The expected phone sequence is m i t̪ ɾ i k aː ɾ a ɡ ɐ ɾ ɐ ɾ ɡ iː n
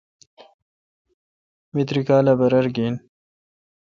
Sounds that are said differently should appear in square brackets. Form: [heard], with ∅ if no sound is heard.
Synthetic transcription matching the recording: m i t̪ ɾ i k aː [l] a [b] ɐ ɾ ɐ ɾ ɡ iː n